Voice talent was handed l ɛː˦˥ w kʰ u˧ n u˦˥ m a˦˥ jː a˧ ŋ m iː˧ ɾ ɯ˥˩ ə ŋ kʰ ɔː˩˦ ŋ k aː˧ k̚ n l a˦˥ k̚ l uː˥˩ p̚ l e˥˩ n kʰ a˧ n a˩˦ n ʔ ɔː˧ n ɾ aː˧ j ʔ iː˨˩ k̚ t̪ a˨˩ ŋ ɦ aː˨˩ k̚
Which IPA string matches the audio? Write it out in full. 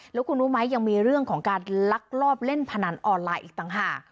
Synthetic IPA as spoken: l ɛː˦˥ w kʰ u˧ n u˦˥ m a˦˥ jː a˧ ŋ m iː˧ ɾ ɯ˥˩ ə ŋ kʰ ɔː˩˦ ŋ k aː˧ n l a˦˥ k̚ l ɔː˥˩ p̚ l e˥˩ n pʰ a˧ n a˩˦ n ʔ ɔː˧ n l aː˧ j ʔ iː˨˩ k̚ t̪ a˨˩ ŋ ɦ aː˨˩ k̚